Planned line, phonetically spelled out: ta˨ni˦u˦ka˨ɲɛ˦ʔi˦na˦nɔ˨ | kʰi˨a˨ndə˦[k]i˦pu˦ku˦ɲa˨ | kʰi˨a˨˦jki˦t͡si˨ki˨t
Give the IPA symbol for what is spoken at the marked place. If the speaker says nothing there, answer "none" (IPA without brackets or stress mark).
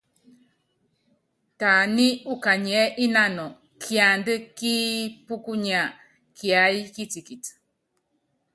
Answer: k